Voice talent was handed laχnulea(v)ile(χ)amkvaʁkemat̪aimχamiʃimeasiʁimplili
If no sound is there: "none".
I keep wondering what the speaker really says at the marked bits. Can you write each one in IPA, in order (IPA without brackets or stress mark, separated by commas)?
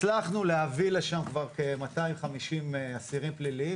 v, ʃ